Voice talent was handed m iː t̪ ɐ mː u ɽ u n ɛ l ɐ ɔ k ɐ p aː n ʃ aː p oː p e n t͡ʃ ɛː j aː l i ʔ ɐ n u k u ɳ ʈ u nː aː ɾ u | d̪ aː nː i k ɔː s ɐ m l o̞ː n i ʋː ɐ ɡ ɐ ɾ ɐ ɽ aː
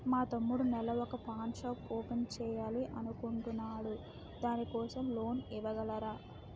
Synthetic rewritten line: m aː t̪ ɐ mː u ɽ u n ɛ l ɐ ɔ k ɐ p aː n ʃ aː p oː p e n t͡ʃ ɛː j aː l i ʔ ɐ n u k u ɳ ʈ u nː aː ɽ u | d̪ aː n i k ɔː s ɐ m l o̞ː n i ʋ ɐ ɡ ɐ l ɐ ɾ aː